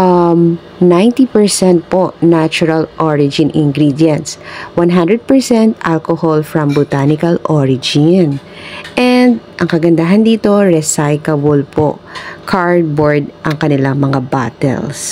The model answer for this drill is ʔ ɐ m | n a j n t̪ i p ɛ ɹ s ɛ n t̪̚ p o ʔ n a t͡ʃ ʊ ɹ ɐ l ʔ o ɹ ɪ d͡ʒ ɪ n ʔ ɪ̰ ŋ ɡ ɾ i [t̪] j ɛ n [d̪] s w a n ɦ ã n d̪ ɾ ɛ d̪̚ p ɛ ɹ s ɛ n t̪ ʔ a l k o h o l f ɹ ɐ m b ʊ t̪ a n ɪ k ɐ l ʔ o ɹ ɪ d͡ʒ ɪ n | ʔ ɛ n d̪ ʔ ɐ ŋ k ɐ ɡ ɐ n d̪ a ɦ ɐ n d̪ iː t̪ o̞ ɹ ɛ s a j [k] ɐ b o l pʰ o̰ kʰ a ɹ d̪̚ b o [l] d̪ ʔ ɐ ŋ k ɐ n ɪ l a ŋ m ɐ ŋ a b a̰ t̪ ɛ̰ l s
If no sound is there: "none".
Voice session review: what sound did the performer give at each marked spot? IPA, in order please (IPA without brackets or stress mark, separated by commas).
d̪, t̪, k, ɹ